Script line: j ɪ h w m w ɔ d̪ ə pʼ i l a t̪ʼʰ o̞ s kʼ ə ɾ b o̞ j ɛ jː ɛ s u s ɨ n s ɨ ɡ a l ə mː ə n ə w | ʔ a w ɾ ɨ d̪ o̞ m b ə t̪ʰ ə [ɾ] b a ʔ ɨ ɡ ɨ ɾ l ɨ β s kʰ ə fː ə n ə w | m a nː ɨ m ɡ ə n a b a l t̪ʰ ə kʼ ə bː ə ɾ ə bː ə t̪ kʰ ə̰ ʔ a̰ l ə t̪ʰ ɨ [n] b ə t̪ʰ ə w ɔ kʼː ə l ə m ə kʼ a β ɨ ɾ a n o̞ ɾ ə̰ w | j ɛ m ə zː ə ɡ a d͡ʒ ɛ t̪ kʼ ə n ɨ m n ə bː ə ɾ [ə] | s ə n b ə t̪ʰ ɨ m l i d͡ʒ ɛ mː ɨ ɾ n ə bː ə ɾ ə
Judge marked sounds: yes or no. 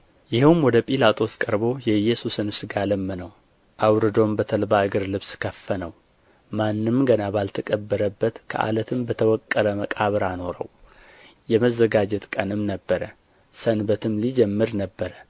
no, no, yes

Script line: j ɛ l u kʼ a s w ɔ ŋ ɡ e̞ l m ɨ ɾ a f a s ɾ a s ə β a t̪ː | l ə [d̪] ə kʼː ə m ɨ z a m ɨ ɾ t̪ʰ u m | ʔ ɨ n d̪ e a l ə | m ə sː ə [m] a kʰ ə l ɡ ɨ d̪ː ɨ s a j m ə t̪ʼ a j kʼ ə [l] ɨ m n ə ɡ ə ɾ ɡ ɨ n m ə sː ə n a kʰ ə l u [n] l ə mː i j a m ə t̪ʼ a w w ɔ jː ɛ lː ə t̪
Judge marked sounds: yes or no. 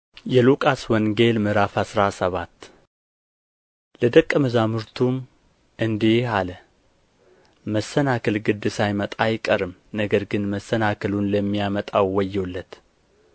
yes, no, no, yes

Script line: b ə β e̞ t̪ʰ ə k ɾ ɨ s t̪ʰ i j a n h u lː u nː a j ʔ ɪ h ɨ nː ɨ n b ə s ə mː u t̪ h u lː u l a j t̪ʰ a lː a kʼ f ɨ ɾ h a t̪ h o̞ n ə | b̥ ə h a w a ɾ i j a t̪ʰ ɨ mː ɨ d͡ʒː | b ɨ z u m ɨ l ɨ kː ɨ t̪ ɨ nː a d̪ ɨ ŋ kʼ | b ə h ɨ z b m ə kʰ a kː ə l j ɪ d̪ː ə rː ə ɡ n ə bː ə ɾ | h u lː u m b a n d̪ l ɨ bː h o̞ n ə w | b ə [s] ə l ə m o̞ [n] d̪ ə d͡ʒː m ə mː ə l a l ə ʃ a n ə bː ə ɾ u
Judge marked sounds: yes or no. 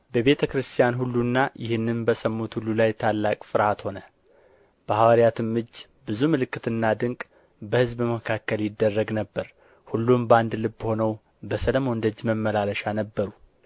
yes, yes

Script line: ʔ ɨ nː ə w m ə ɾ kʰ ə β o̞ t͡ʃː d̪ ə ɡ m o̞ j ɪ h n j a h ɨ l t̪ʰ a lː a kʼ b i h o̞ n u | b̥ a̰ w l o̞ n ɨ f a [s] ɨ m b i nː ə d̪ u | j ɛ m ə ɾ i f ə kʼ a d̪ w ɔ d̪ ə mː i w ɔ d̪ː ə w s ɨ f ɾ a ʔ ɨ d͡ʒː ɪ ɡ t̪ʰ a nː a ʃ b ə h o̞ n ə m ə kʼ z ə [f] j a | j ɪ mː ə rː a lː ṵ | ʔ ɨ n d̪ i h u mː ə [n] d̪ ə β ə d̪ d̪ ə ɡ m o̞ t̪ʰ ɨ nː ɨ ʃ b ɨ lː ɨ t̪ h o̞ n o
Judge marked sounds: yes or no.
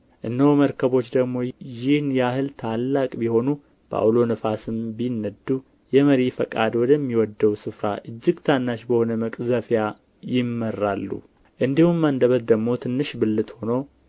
yes, yes, yes

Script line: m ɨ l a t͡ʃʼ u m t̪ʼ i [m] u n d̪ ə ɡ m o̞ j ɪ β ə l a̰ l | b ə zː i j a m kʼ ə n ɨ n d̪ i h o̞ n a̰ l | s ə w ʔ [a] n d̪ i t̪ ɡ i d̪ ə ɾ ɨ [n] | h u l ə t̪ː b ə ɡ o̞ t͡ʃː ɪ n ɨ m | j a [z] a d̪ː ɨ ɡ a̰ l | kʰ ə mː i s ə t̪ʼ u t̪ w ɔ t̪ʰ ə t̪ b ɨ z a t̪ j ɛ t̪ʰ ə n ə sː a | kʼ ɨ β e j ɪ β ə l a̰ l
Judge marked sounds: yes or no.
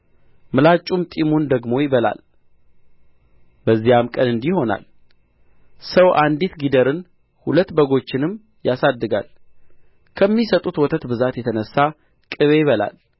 yes, yes, yes, no

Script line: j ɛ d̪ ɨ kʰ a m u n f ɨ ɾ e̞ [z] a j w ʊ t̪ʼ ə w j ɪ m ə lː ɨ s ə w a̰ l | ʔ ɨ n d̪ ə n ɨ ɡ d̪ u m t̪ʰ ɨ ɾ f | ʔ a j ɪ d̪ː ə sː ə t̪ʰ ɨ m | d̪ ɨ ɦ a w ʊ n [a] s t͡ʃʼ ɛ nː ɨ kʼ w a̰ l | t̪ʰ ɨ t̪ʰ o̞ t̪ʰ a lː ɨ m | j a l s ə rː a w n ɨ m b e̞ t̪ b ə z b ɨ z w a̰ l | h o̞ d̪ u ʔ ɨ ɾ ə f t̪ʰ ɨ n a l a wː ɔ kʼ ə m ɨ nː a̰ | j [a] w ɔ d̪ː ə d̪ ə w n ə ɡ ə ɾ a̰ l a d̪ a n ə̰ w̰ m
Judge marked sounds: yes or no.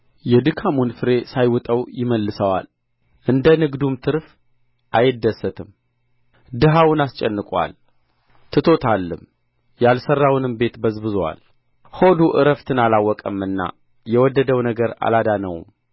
no, yes, no

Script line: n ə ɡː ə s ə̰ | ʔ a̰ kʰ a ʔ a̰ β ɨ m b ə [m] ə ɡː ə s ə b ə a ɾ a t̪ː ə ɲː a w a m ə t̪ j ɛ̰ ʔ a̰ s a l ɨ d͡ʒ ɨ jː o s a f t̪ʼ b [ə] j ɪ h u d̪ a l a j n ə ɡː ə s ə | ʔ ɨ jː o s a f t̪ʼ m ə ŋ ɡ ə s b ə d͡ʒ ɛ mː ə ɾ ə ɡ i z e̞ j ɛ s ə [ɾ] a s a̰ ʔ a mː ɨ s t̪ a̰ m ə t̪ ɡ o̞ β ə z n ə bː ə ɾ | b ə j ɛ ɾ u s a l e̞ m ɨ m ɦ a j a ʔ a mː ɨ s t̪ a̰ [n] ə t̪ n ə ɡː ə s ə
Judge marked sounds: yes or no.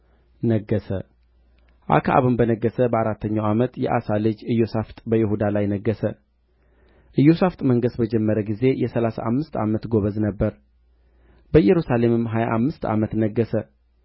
no, yes, no, no

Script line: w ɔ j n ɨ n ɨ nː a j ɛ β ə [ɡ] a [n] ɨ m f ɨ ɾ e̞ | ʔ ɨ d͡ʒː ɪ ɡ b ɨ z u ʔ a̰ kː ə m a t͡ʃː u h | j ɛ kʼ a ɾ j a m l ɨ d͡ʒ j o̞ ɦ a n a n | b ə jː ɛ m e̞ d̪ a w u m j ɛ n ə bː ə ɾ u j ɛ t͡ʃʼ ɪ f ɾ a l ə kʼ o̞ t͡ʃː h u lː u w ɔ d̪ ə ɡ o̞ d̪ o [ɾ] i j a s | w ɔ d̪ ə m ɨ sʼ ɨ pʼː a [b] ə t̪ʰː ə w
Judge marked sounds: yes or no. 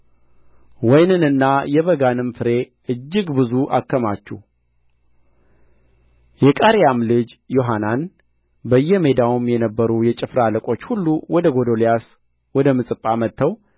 yes, yes, no, no

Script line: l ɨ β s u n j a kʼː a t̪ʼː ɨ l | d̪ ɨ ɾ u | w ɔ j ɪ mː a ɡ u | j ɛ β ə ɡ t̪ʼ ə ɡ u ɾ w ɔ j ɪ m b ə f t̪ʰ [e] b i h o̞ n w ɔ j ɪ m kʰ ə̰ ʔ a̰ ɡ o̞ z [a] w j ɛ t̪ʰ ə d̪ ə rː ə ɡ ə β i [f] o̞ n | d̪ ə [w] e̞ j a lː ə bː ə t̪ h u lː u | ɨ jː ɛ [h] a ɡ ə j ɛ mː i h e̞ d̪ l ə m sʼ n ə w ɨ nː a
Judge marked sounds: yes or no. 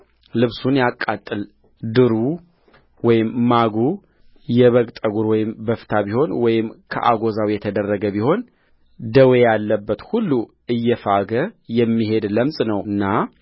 no, yes, no, yes, no

